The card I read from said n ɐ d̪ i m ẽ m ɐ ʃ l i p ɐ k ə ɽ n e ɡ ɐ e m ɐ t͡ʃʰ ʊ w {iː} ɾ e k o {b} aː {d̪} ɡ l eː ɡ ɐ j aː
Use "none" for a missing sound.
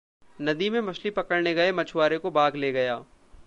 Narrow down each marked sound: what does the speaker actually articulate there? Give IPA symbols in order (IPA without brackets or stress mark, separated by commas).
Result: aː, b, none